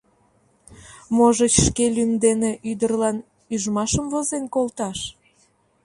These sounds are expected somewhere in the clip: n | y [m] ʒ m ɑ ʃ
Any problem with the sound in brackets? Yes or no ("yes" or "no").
yes